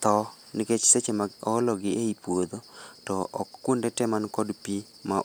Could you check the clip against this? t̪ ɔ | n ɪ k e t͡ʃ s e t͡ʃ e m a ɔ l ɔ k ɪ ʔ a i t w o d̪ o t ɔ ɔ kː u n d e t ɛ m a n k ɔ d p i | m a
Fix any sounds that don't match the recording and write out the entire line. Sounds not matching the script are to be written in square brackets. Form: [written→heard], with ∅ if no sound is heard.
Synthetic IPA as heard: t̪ ɔ | n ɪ k e t͡ʃ s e t͡ʃ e m a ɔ l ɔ [k→ɡ] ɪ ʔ [a→e] i [t→p] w o d̪ o t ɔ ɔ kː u n d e t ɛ m a n k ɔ d p i | m a